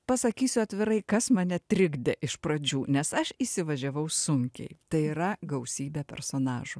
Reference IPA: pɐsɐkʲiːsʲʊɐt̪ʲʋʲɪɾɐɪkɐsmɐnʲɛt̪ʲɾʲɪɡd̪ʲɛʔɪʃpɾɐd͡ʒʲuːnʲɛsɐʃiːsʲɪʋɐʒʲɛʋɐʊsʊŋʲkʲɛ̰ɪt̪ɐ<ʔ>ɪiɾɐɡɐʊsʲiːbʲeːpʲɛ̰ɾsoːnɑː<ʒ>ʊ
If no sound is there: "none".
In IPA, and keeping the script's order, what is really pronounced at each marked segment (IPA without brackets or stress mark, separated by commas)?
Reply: none, ʒ